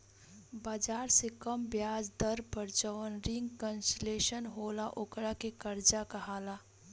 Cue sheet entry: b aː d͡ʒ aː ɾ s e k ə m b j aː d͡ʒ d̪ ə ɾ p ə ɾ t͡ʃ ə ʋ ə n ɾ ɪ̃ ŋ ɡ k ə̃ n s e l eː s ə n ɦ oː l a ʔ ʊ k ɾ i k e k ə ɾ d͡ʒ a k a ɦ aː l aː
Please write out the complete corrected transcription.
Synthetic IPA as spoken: b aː d͡ʒ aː ɾ s e k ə m b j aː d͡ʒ d̪ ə ɾ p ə ɾ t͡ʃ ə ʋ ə n ɾ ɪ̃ ŋ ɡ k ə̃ n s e l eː ʃ ə n ɦ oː l a ʔ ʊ k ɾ a k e k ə ɾ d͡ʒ a k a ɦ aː l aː